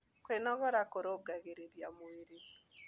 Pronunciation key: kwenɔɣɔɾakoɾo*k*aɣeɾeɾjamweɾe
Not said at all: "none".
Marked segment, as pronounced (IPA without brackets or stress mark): ɡ